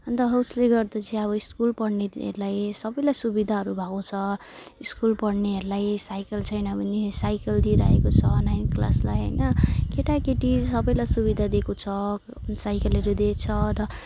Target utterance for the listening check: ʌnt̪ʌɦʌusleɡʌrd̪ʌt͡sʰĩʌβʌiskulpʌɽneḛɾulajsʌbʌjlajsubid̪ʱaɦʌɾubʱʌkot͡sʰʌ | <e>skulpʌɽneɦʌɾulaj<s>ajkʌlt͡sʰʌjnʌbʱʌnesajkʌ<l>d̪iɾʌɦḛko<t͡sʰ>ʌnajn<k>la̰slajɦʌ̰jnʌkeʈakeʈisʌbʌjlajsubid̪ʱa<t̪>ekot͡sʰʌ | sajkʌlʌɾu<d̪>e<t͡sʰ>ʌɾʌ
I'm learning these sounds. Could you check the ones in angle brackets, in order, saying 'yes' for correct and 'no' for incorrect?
no, yes, yes, yes, yes, no, yes, yes

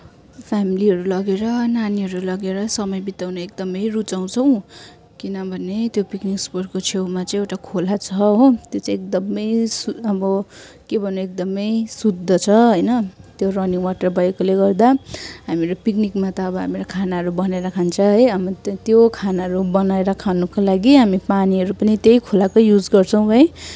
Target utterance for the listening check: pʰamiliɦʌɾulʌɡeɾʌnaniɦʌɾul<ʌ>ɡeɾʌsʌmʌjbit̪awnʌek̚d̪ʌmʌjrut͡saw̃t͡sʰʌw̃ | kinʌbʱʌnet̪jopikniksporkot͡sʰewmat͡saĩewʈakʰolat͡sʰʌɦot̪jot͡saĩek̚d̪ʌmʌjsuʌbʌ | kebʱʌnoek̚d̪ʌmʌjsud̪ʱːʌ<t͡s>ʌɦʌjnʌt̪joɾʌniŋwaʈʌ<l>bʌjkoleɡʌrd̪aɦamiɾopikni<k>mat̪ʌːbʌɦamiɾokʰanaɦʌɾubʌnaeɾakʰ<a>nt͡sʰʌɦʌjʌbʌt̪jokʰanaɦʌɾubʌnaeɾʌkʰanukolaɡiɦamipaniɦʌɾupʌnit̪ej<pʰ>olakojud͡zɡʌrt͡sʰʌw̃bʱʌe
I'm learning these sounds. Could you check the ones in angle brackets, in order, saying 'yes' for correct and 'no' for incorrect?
yes, no, no, yes, yes, no

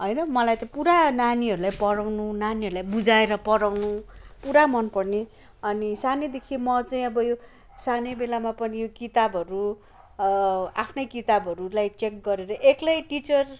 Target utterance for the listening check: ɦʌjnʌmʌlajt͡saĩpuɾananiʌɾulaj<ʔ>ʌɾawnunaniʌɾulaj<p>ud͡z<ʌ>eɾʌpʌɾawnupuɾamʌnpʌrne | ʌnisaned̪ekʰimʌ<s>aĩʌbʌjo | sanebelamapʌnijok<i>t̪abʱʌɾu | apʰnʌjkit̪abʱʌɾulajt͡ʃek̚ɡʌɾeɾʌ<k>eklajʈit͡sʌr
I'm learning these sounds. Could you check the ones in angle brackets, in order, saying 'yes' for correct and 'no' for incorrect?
no, no, no, no, yes, no

